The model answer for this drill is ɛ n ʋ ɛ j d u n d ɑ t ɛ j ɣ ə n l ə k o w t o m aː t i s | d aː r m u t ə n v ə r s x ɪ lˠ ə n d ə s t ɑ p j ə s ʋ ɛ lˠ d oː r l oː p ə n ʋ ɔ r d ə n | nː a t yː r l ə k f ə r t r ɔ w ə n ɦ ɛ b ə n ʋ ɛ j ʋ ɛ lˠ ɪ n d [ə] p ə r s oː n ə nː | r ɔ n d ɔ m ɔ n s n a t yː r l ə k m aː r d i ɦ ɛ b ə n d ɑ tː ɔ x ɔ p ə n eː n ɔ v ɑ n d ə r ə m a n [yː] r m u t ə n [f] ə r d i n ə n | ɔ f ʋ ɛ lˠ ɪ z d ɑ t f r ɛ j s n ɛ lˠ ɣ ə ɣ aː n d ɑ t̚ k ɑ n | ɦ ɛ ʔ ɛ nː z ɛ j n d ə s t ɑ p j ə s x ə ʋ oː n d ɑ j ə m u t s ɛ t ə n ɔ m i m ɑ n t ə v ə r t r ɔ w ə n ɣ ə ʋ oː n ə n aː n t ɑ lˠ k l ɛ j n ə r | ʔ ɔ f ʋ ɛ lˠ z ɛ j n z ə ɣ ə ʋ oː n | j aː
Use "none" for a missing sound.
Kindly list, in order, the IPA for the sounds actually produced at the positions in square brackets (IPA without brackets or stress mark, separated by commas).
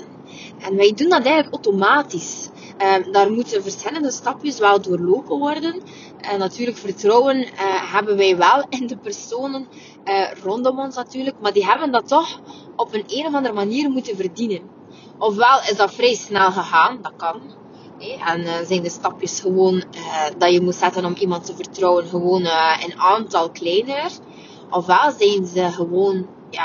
ə, iː, v